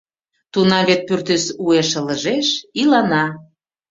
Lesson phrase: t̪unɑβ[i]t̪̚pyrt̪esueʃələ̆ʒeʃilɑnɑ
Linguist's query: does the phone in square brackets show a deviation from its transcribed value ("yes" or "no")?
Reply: yes